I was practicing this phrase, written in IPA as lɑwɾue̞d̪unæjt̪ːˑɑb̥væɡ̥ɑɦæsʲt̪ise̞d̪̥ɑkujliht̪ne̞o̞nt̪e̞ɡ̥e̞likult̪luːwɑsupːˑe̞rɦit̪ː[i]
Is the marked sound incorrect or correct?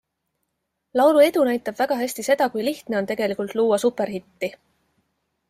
correct